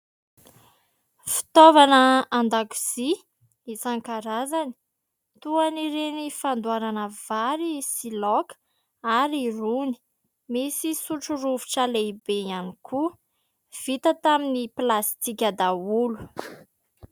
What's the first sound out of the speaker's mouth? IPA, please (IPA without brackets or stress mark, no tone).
f